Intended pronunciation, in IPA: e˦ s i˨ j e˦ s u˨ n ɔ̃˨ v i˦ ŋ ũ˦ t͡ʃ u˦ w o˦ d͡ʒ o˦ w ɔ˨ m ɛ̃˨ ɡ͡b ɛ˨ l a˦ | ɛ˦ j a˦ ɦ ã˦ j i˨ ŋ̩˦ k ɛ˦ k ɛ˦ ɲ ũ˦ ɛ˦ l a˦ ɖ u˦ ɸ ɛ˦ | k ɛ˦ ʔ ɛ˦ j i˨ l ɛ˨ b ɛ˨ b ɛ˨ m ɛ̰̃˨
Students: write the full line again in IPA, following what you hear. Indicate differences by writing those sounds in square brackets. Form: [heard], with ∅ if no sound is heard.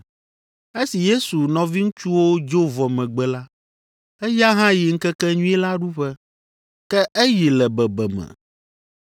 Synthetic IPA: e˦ s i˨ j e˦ s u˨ n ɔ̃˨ v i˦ ŋ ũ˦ t͡ʃ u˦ w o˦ d͡ʒ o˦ [v] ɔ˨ m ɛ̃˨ ɡ͡b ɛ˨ l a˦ | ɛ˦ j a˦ ɦ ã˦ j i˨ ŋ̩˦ k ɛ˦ k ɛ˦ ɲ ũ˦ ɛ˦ l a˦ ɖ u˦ ɸ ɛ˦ | k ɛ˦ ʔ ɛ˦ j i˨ l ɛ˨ b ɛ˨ b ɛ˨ m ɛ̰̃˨

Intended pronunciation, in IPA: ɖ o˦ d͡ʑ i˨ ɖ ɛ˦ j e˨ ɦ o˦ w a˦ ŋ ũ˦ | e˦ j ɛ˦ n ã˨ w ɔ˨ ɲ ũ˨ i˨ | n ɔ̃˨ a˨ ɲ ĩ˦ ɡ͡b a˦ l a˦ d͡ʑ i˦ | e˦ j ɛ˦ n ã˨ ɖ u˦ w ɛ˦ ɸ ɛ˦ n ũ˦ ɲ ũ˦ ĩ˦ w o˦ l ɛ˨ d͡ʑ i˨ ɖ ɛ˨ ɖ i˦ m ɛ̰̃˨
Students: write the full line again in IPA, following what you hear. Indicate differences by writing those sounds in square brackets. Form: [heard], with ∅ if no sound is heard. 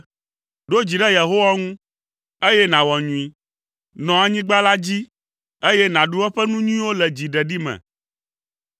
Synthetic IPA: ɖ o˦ d͡ʑ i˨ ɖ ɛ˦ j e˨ ɦ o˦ w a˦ ŋ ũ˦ | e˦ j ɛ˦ n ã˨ w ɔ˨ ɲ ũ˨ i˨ | n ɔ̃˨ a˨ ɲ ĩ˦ ɡ͡b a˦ l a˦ d͡ʑ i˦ | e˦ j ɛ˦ n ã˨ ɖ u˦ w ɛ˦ ɸ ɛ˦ n ũ˦ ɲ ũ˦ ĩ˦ w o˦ l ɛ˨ d͡ʑ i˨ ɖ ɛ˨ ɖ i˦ m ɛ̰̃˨

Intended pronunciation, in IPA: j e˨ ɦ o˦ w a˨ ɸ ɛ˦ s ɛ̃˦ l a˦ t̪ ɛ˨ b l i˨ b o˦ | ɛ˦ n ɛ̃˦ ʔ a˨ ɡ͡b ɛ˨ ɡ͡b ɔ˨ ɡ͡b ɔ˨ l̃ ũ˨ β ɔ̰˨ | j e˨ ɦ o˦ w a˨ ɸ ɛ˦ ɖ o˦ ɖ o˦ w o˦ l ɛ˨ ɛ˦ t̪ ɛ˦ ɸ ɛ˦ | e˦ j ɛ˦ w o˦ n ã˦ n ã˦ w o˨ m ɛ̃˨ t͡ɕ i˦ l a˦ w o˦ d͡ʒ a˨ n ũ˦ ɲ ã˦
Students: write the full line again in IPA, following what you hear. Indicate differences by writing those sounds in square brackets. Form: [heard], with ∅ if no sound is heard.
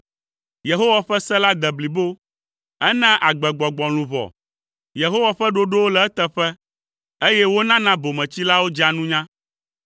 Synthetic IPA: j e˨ ɦ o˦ w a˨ ɸ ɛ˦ s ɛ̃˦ l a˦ [d̪] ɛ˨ b l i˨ b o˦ | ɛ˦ n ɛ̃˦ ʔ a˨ ɡ͡b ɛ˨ ɡ͡b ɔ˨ ɡ͡b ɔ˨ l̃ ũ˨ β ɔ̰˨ | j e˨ ɦ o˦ w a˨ ɸ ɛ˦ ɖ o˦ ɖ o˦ w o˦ l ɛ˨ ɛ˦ t̪ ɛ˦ ɸ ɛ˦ | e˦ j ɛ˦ w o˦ n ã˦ n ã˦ [b] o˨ m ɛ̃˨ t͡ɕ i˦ l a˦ w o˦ d͡ʒ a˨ n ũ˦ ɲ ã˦

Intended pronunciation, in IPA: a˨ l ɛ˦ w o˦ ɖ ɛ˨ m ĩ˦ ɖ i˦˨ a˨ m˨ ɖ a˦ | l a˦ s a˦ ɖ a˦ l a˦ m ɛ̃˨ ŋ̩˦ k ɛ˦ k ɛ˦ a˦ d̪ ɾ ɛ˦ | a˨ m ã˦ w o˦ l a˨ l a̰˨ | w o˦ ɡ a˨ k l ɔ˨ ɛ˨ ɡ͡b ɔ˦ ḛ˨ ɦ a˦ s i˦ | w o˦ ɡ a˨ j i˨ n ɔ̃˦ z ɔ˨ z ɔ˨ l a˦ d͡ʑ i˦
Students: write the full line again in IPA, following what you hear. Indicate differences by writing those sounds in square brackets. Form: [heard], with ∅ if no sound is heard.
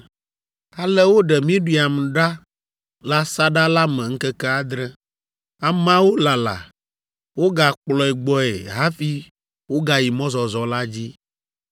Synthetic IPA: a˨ l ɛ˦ w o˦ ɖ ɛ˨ m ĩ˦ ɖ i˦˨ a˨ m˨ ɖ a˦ | l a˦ s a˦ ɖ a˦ l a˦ m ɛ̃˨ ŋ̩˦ k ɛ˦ k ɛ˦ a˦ d̪ ɾ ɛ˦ | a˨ m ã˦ w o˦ l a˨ l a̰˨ | w o˦ ɡ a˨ [k͡p] l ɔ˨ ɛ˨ ɡ͡b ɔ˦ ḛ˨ ɦ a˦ [f] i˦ | w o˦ ɡ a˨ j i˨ [m] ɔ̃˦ z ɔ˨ z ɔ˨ l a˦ d͡ʑ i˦

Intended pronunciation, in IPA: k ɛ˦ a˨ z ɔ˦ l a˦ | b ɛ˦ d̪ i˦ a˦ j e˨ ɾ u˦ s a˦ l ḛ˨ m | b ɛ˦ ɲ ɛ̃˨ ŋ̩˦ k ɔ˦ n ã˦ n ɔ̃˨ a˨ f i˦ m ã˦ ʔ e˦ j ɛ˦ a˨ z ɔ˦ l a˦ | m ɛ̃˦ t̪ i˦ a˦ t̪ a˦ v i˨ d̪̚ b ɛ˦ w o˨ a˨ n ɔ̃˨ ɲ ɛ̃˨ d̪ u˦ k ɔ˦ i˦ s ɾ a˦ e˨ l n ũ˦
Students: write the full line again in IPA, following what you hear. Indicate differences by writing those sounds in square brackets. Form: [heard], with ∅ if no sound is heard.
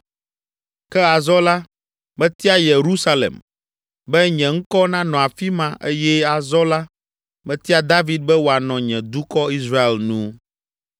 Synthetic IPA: k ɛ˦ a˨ z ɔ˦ l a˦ | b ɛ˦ [t̪] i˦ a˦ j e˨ ɾ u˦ s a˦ l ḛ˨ m | b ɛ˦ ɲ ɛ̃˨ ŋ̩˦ k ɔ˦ n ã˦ n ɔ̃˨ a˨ f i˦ m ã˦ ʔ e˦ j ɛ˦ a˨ z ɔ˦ l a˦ | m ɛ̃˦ t̪ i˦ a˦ [d̪] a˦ v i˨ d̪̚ b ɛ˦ w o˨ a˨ n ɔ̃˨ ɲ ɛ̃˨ d̪ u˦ k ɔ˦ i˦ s ɾ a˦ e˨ l n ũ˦

